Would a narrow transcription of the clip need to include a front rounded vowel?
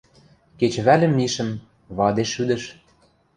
yes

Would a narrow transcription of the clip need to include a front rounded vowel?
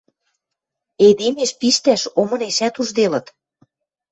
no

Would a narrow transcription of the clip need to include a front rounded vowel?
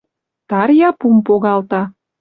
no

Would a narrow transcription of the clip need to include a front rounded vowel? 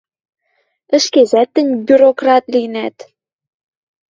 yes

